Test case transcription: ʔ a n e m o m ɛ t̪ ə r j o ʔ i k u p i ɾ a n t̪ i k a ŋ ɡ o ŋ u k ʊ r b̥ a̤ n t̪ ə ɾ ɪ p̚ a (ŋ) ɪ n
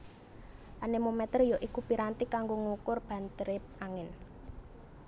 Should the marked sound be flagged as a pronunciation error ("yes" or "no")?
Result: no